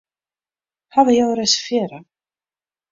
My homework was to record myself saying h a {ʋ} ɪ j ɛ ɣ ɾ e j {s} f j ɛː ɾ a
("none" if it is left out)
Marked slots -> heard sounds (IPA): v, s

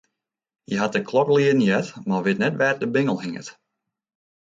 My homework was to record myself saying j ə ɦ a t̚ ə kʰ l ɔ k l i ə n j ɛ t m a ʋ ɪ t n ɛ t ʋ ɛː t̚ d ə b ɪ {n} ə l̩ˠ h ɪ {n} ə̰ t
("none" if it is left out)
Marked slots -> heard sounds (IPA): ŋ, ŋ

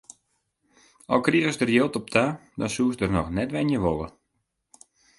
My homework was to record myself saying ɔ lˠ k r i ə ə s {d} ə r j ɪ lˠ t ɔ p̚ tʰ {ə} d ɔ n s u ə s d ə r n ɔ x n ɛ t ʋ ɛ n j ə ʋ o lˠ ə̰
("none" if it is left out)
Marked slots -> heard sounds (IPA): d, a

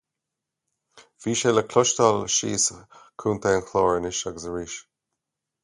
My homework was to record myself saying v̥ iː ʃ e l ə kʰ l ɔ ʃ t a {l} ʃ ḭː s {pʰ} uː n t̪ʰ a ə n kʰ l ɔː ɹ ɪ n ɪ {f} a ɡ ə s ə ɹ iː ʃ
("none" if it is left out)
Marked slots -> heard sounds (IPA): l, kʰ, ʃ

